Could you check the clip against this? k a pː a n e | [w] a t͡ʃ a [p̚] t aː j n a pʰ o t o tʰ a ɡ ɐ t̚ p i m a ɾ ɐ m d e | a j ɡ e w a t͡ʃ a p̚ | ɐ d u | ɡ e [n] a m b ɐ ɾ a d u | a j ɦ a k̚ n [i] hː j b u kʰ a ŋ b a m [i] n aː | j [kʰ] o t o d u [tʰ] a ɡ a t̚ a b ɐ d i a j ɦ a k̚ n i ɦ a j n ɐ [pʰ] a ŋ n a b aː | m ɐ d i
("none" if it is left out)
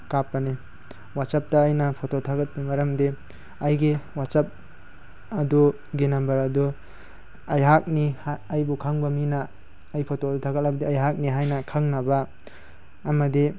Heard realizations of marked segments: w, p̚, n, i, i, pʰ, tʰ, kʰ

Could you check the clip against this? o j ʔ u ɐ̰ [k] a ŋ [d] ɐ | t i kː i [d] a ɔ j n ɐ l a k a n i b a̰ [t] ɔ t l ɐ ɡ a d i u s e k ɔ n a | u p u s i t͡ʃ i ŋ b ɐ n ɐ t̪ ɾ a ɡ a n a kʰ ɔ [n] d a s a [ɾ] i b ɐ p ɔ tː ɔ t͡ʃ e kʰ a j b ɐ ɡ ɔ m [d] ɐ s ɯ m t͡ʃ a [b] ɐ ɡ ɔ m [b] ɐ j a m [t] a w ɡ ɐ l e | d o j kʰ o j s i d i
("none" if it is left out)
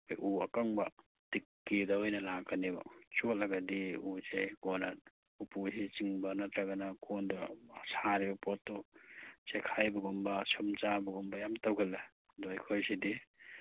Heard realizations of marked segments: k, b, d, t͡ʃ, n, ɾ, b, b, b, t

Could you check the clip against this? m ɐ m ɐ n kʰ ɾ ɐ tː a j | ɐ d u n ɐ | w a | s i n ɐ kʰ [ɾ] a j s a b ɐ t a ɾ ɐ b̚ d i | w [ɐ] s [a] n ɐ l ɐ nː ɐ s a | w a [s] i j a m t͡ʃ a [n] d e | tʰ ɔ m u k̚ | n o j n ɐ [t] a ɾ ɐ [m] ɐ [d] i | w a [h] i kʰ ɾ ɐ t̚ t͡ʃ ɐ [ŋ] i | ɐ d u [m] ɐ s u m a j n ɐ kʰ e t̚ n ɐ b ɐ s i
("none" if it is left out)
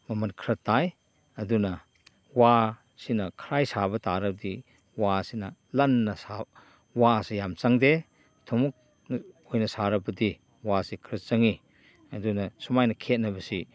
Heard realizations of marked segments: ɾ, a, i, s, ŋ, s, b, d, s, ŋ, n

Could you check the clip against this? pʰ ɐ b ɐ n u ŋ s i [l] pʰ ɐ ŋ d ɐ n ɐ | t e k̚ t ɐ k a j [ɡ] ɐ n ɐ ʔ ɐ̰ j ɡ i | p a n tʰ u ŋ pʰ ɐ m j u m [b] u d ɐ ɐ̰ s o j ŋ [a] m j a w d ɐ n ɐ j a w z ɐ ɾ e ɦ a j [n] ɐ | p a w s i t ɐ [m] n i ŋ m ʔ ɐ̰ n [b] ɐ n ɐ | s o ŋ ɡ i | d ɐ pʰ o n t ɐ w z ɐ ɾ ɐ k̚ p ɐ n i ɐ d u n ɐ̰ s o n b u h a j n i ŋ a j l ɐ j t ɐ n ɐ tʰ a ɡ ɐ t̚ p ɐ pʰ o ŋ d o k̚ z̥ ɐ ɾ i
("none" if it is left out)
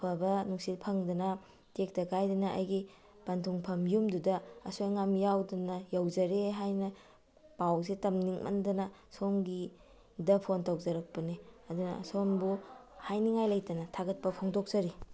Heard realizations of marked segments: l, d, d, a, n, m, d

